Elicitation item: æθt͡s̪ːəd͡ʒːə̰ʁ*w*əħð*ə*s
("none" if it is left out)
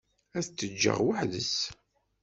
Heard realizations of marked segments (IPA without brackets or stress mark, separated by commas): w, ə